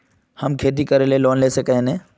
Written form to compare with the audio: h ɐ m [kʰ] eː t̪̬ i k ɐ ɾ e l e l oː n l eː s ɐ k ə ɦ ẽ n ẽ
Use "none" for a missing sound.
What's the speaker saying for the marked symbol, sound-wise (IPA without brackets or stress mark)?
kʰ